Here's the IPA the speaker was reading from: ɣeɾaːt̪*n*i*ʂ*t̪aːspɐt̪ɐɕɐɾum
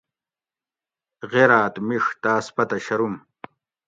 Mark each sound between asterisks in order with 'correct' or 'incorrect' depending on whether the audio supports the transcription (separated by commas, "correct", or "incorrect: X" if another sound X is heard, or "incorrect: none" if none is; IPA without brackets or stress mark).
incorrect: m, correct